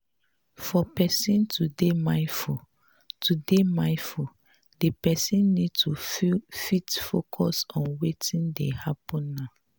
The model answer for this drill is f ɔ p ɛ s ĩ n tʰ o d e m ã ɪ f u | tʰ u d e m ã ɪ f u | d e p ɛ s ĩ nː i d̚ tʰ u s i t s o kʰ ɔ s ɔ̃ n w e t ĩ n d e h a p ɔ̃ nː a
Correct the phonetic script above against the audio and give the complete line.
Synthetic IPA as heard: f ɔ p ɛ s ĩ n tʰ u d e m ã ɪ f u | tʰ u d e m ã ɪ f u | d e p ɛ s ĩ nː i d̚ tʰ u f i t f o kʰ ɔ s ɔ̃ n w e t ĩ n d e h a p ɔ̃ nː a